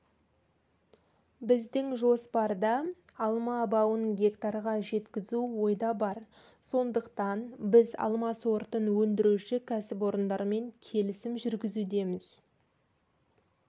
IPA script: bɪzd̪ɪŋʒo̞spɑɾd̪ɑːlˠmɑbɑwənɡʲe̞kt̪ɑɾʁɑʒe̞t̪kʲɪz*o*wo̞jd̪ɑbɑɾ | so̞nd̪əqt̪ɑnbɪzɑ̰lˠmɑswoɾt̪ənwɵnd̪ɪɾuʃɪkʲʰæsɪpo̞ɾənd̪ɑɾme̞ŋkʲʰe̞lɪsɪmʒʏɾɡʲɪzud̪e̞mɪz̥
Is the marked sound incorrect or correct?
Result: incorrect